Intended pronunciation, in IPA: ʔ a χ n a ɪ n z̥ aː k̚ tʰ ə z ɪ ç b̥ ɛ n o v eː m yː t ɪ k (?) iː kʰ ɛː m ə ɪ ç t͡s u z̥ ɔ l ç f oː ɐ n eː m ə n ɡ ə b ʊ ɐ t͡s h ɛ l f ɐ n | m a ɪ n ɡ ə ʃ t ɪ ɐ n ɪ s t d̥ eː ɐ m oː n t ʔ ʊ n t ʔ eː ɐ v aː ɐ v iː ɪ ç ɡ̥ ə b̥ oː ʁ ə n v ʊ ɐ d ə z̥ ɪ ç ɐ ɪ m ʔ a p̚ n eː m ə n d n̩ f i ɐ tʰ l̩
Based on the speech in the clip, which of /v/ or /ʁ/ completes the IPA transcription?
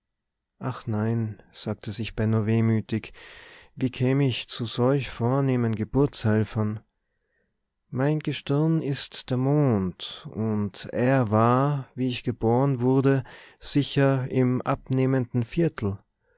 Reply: v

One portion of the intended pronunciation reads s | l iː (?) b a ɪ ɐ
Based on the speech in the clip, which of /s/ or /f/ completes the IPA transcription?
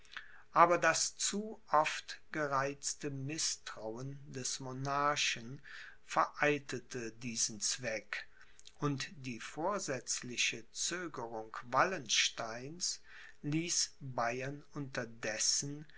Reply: s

